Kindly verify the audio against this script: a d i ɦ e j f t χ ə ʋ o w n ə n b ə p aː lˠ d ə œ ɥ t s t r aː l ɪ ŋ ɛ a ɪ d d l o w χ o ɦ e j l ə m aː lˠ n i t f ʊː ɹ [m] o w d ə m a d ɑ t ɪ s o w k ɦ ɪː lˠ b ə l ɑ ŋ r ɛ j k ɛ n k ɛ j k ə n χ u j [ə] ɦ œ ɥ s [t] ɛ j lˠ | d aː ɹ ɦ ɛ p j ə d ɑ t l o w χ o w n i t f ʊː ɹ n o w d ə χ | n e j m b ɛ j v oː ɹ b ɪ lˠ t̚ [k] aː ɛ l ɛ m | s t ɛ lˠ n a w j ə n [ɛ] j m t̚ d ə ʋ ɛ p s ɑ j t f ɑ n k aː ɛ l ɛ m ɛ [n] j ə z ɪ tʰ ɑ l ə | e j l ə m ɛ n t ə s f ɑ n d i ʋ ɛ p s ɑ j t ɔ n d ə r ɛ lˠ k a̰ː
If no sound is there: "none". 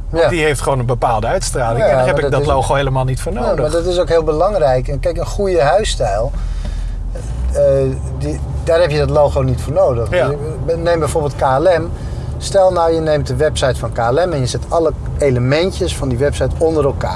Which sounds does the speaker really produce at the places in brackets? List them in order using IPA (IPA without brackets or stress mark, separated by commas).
n, ə, t, k, e, n